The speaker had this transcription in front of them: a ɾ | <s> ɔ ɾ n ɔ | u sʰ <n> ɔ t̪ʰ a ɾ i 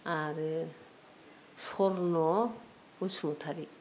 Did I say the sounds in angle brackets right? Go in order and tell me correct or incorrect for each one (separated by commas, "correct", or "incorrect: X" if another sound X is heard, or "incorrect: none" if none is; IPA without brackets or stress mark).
correct, incorrect: m